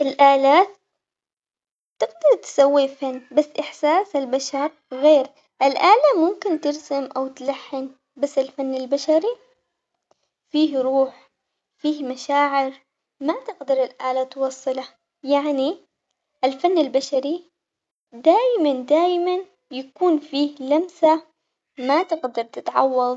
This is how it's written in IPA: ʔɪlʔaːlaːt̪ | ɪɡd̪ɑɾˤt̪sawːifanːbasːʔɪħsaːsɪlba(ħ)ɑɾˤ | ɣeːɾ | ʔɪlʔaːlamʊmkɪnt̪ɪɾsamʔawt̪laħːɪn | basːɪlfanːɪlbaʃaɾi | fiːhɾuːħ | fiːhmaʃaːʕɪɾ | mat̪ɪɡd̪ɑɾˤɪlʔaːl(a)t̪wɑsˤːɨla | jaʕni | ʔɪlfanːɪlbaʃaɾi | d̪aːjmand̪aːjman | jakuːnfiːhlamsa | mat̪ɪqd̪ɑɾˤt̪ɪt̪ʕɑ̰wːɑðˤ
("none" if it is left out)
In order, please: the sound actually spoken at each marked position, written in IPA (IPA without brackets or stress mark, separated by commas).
ʃ, a